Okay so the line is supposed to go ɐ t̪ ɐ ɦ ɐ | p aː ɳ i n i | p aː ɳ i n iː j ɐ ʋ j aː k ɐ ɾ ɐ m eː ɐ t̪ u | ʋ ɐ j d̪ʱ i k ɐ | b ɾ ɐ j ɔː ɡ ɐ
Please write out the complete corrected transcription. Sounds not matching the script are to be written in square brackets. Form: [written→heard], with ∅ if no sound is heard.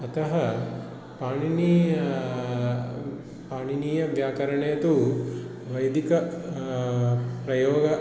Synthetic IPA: ɐ t̪ ɐ ɦ ɐ | p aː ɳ i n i | p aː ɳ i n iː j ɐ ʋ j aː k ɐ ɾ ɐ [m→ɳ] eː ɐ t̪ u | ʋ ɐ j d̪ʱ i k ɐ | [b→p] ɾ ɐ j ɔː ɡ ɐ